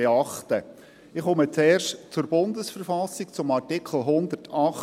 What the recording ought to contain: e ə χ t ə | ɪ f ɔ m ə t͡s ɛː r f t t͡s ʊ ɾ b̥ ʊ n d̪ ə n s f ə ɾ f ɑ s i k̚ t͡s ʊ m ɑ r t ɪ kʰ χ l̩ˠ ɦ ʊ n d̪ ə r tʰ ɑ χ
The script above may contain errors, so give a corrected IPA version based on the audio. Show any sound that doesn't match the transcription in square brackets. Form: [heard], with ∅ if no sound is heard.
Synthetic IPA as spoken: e [ɑ] χ t ə | ɪ [χ] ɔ m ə t͡s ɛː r [ʃ] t t͡s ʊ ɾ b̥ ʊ n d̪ ə [∅] s f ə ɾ f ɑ s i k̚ t͡s ʊ m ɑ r t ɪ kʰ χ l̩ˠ ɦ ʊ n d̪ ə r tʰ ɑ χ